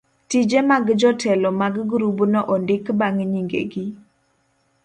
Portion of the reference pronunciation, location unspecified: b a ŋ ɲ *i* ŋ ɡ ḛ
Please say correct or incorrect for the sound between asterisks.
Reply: correct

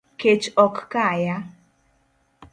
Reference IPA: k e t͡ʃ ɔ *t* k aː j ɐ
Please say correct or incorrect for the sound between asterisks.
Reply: incorrect: k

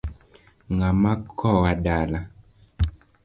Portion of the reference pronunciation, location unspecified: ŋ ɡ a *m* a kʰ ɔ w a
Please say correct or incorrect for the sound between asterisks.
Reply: correct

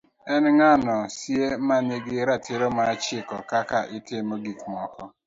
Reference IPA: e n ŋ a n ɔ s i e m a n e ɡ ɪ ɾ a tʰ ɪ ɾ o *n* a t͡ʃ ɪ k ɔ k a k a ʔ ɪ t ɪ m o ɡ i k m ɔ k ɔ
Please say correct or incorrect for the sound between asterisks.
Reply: incorrect: m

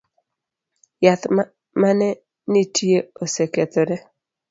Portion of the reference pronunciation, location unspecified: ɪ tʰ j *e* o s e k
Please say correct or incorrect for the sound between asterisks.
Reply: correct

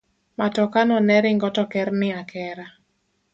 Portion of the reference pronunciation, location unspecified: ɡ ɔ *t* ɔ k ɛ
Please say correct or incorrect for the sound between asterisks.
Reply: correct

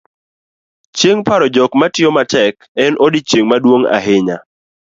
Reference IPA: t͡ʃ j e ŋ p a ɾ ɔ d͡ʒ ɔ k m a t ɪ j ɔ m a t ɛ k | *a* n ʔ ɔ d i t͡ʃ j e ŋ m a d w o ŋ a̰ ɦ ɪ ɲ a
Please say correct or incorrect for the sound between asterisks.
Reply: incorrect: ɛ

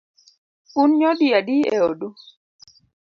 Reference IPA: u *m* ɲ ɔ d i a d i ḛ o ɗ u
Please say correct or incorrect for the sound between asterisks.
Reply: incorrect: n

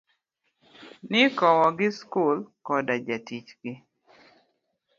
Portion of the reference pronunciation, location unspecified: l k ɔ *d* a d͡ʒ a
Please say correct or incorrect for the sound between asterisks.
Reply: correct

